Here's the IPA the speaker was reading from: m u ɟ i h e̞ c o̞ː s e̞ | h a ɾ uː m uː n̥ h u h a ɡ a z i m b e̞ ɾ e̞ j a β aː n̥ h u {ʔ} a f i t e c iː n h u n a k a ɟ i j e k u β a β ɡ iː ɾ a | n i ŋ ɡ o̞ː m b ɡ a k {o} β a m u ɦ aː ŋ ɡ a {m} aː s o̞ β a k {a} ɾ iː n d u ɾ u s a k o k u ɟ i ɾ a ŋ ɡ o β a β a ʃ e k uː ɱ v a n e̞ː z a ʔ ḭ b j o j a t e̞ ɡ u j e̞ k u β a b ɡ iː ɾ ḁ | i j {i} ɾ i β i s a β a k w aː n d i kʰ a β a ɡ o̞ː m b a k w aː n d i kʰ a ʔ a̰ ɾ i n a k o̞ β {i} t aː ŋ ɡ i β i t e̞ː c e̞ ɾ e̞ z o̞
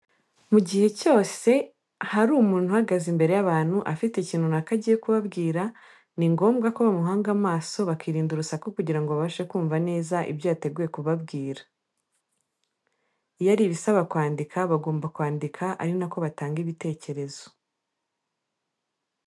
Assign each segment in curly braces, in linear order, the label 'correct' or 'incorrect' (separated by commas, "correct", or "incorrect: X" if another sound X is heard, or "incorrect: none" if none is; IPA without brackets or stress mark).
correct, correct, correct, incorrect: i, incorrect: a, incorrect: a